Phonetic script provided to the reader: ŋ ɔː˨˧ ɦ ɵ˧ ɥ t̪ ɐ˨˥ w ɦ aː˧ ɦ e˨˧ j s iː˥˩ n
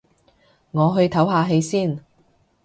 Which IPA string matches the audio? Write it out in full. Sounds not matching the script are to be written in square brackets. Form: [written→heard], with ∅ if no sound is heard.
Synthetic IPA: ŋ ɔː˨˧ ɦ ɵ˧ ɥ [t̪→t̪ʰ] ɐ˨˥ w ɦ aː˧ ɦ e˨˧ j s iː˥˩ n